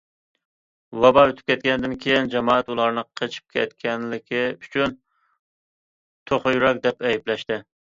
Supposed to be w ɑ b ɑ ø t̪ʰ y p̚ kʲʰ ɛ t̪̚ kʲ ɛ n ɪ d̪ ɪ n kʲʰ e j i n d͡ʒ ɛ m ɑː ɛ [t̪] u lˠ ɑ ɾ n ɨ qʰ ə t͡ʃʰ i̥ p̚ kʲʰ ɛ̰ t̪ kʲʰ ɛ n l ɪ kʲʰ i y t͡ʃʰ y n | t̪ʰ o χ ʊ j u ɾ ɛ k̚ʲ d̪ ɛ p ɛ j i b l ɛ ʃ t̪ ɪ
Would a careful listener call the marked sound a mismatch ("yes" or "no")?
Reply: no